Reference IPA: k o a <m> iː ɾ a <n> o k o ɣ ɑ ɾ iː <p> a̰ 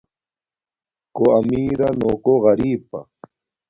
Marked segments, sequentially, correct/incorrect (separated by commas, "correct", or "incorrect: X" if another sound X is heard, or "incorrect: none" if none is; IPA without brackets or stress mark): correct, correct, correct